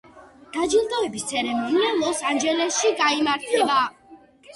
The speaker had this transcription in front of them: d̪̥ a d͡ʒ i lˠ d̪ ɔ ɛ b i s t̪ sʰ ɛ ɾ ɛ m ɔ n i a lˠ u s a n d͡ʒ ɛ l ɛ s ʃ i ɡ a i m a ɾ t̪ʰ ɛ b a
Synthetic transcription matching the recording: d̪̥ a d͡ʒ i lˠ d̪ ɔ ɛ b i s t̪ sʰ ɛ ɾ ɛ m ɔ n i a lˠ ɔ s a n d͡ʒ ɛ l ɛ s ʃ i ɡ a i m a ɾ t̪ʰ ɛ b a